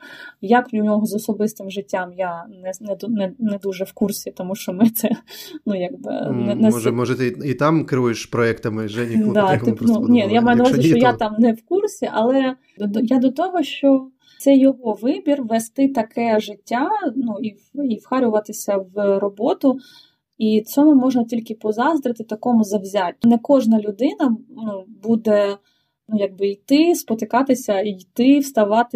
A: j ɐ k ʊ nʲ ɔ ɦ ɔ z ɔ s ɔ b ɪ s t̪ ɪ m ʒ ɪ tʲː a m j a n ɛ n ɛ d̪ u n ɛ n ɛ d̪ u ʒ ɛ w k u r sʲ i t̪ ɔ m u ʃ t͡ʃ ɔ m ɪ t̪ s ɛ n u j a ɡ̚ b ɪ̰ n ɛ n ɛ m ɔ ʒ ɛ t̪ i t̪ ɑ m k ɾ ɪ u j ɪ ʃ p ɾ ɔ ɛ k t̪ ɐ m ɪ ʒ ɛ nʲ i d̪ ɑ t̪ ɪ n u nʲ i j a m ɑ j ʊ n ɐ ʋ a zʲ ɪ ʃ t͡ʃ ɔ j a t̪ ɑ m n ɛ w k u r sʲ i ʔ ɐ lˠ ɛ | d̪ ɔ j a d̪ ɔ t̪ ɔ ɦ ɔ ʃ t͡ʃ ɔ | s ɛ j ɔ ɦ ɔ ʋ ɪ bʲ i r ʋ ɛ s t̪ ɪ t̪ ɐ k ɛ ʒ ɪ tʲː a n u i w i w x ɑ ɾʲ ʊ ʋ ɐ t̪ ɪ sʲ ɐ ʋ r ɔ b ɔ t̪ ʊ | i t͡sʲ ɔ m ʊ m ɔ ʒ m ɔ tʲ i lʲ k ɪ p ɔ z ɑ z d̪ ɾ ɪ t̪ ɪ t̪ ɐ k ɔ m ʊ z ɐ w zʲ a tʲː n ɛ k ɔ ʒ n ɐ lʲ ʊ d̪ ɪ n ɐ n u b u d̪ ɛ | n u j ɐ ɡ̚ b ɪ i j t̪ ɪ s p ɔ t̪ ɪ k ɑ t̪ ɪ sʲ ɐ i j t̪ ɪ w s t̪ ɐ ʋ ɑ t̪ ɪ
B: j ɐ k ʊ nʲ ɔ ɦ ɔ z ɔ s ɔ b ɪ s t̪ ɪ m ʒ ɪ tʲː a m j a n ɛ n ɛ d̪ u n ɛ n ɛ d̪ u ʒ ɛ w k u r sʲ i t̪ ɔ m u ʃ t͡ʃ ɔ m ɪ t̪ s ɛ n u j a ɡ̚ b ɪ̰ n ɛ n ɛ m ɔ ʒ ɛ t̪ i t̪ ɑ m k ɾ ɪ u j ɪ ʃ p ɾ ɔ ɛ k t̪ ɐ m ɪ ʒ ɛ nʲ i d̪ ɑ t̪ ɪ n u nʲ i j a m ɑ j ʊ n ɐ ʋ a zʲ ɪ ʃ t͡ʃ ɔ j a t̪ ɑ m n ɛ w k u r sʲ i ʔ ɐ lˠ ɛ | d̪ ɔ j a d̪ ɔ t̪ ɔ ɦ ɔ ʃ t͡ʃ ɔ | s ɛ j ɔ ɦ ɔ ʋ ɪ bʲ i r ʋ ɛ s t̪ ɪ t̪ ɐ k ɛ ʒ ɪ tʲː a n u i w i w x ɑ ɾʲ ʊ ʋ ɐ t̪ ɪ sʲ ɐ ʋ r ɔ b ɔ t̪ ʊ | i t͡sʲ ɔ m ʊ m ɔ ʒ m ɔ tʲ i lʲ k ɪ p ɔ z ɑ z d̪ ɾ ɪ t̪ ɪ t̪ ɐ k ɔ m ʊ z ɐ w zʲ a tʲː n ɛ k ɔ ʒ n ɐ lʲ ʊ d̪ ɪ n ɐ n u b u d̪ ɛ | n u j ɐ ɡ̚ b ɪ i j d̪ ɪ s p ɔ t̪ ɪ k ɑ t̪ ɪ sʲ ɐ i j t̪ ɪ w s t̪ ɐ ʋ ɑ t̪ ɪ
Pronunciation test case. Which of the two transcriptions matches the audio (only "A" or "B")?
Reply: A